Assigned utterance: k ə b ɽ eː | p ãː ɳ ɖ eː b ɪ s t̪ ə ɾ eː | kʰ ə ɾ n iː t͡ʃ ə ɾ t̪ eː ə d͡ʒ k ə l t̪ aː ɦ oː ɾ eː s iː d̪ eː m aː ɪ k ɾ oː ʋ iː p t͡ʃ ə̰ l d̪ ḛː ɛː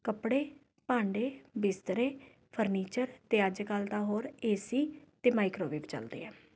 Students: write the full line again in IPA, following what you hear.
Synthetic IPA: k ə p ɽ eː | p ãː ɳ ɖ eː b ɪ s t̪ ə ɾ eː | pʰ ə ɾ n iː t͡ʃ ə ɾ t̪ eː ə d͡ʒ k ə l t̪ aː ɦ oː ɾ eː s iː t̪ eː m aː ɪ k ɾ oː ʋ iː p t͡ʃ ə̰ l d̪ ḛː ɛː